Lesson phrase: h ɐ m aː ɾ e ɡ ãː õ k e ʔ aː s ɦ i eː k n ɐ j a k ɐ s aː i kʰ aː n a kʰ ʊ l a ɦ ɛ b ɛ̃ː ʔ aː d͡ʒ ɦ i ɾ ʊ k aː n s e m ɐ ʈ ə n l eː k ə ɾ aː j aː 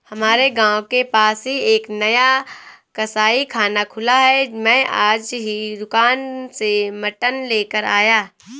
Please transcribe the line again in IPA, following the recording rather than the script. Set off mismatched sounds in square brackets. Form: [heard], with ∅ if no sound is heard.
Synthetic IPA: h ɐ m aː ɾ e ɡ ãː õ k e [p] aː s ɦ i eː k n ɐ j a k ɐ s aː i kʰ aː n a kʰ ʊ l a ɦ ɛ [m] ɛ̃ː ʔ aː d͡ʒ ɦ i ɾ ʊ k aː n s e m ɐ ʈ ə n l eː k ə ɾ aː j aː

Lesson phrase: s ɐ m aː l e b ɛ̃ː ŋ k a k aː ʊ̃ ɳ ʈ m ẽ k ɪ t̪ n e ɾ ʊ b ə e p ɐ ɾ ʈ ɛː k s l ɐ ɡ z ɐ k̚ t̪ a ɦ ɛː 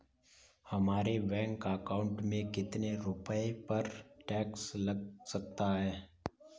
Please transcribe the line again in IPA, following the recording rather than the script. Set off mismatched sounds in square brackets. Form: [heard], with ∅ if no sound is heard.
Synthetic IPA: [h] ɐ m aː [ɾ] e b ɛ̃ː ŋ k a k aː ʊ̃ ɳ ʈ m ẽ k ɪ t̪ n e ɾ ʊ [p] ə e p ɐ ɾ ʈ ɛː k s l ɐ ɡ [s] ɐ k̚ t̪ a ɦ ɛː

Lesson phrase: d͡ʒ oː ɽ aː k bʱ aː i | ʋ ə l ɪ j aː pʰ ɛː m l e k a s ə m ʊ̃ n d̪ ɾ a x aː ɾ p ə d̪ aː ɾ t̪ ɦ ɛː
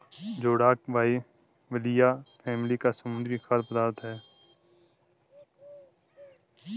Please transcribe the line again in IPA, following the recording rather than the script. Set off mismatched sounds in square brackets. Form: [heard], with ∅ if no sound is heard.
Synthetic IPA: d͡ʒ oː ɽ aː k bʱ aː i | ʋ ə l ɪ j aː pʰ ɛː m l [i] k a s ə m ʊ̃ n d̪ ɾ [i] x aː ɾ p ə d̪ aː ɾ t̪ ɦ ɛː

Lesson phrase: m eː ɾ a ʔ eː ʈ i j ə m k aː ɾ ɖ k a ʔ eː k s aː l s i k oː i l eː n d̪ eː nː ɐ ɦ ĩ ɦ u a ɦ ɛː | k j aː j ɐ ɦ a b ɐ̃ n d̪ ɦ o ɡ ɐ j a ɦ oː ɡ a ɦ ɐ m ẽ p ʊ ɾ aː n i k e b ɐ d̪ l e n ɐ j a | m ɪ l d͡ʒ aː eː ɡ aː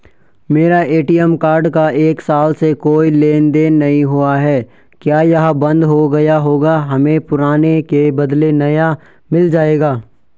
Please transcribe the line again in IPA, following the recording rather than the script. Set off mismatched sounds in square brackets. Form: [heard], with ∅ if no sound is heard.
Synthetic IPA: m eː ɾ a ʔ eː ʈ i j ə m k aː ɾ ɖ k a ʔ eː k s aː l s [e] k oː i l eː n d̪ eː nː ɐ ɦ ĩ ɦ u a ɦ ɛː | k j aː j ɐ ɦ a b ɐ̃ n d̪ ɦ o ɡ ɐ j a ɦ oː ɡ a ɦ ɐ m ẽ p ʊ ɾ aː n [e] k e b ɐ d̪ l e n ɐ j a | m ɪ l d͡ʒ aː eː ɡ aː

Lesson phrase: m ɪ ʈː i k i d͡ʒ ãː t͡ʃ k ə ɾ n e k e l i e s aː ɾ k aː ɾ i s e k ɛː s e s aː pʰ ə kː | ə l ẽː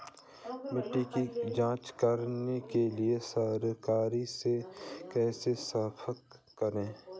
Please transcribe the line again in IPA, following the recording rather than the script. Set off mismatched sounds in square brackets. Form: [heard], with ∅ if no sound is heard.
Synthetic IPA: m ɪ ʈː i k i d͡ʒ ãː t͡ʃ k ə ɾ n e k e l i e s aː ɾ k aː ɾ i s e k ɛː s e s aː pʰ ə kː | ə [ɾ] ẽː

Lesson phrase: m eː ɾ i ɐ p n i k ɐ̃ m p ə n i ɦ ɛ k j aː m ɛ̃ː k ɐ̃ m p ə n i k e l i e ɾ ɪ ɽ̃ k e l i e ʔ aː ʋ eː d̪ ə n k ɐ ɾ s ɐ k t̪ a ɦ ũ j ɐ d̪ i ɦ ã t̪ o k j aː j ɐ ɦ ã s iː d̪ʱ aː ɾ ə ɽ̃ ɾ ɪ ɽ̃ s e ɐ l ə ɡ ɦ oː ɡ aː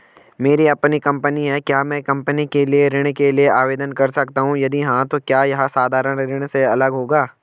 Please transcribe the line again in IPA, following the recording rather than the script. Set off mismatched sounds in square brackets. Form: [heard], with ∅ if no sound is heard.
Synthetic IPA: m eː ɾ i ɐ p n i k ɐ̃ m p ə n i ɦ ɛ k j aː m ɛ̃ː k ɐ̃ m p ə n i k e l i e ɾ ɪ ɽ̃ k e l i e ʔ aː ʋ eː d̪ ə n k ɐ ɾ s ɐ k t̪ a ɦ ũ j ɐ d̪ i ɦ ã t̪ o k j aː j ɐ ɦ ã s [aː] d̪ʱ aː ɾ ə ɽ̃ ɾ ɪ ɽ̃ s e ɐ l ə ɡ ɦ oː ɡ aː

